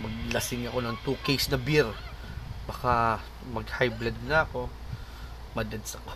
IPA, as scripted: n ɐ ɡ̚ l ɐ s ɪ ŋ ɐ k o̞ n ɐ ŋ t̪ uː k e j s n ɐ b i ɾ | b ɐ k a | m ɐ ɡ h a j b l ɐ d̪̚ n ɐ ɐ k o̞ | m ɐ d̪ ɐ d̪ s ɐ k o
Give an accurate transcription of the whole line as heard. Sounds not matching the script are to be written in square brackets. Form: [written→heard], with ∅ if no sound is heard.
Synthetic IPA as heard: [n→m] ɐ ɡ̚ l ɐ s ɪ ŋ ɐ k o̞ n ɐ ŋ t̪ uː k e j s n ɐ b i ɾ | b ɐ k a | m ɐ ɡ h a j b l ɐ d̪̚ n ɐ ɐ k o̞ | m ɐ d̪ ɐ d̪ s ɐ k o